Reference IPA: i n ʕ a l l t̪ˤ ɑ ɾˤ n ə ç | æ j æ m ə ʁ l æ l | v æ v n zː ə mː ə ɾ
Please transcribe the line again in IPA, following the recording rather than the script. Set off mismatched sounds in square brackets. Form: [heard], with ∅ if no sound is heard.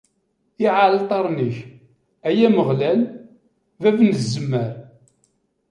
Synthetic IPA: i [∅] ʕ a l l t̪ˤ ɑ ɾˤ n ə ç | æ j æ m ə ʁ l æ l | v æ v n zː ə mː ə ɾ